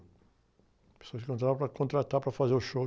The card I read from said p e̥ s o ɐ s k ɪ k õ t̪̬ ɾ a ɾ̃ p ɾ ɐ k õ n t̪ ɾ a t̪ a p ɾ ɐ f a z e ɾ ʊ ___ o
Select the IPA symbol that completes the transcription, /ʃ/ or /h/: ʃ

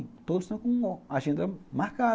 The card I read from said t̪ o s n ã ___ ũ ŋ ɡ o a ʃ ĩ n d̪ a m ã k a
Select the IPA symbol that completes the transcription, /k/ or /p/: k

